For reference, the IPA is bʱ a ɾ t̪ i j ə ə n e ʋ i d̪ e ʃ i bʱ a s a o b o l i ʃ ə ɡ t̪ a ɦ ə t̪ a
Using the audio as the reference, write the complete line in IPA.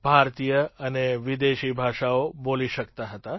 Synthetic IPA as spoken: bʱ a ɾ t̪ i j ə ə n e ʋ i d̪ e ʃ i bʱ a ʃ a o b o l i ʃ ə k t̪ a ɦ ə t̪ a